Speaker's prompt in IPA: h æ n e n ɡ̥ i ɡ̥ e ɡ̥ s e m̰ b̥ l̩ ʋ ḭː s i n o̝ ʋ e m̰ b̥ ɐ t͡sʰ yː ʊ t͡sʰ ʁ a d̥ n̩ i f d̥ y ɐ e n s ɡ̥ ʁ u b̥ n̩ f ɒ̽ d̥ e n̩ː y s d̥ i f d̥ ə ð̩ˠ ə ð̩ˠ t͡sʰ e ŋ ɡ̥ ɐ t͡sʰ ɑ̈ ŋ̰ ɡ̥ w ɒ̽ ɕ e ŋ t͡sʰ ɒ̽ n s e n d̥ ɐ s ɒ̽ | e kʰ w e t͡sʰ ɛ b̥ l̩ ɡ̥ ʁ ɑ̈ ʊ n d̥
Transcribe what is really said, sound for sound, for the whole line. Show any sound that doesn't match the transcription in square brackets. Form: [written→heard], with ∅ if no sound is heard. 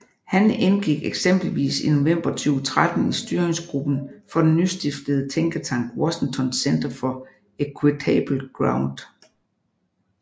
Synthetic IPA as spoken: h æ n e n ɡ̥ i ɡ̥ e ɡ̥ s e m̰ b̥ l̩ ʋ ḭː s i n o̝ ʋ e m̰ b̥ ɐ t͡sʰ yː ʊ t͡sʰ ʁ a d̥ n̩ i [f→s] d̥ y ɐ e [n→ŋ] s ɡ̥ ʁ u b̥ n̩ f ɒ̽ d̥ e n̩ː y s d̥ i f d̥ ə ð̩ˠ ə [ð̩ˠ→∅] t͡sʰ e ŋ ɡ̥ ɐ t͡sʰ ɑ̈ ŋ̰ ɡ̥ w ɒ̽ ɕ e ŋ t͡sʰ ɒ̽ n s e n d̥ ɐ [s→f] ɒ̽ | e kʰ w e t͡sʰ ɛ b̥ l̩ ɡ̥ ʁ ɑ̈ ʊ n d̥